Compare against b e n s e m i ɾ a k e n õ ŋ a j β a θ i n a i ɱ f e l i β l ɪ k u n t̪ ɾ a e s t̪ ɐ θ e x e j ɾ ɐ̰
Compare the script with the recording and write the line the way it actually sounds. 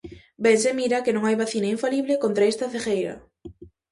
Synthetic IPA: b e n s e m i ɾ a k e n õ ŋ a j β a θ i n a i ɱ f a l i β l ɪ k o n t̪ ɾ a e s t̪ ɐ θ e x e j ɾ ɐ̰